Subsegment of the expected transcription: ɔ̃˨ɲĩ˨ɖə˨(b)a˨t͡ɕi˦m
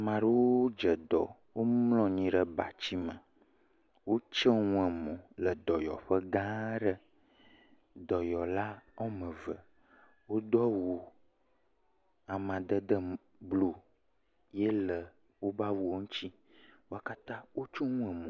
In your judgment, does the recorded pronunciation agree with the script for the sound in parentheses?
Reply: yes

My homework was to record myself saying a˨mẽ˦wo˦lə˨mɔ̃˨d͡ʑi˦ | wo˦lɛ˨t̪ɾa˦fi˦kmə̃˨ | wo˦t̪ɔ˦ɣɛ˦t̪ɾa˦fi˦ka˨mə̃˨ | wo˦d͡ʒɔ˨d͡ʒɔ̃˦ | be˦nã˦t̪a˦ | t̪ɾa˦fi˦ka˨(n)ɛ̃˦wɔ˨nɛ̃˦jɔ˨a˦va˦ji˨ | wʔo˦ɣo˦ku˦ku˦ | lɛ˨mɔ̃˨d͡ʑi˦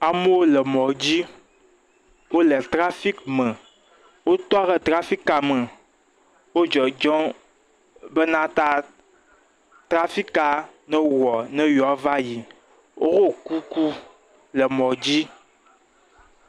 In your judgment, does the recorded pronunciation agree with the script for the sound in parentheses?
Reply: yes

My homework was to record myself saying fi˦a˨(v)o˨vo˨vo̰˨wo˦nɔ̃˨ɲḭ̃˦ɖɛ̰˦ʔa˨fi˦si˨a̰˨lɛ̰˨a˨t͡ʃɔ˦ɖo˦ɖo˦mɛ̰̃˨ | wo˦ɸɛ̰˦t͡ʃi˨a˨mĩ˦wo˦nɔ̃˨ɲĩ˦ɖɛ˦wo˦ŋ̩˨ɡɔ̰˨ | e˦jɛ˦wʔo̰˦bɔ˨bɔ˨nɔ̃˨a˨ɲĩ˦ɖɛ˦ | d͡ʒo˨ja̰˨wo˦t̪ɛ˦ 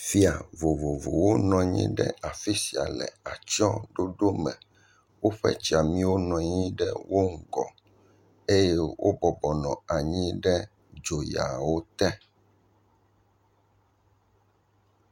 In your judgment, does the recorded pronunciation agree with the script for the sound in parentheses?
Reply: yes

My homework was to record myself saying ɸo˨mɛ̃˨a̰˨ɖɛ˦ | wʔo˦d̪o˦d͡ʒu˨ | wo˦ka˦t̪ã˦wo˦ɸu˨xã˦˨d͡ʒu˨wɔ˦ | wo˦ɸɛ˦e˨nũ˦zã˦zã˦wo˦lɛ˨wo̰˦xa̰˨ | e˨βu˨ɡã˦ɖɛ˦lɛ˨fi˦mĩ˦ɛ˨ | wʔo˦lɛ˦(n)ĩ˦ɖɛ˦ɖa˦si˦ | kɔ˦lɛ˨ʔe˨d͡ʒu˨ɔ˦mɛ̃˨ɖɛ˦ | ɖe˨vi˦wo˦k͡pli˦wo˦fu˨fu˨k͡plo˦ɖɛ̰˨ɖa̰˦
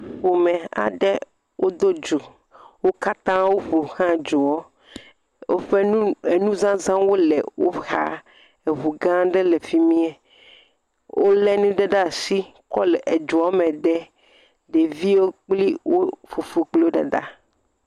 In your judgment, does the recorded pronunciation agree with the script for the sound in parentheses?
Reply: yes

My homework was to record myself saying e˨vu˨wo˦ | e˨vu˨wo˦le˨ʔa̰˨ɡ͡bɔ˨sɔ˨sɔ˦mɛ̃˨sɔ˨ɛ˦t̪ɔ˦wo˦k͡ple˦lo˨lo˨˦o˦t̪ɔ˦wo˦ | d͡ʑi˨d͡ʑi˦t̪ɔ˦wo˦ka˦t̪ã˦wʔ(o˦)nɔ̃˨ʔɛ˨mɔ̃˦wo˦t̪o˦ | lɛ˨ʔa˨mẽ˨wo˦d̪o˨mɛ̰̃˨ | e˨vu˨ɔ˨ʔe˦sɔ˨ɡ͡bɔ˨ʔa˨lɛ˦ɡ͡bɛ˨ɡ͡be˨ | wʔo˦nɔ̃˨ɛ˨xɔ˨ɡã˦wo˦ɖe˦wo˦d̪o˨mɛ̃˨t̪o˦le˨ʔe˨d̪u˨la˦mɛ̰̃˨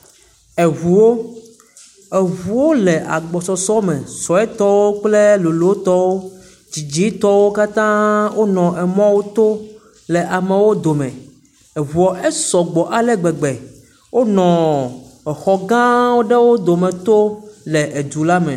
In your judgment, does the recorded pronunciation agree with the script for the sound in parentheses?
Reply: yes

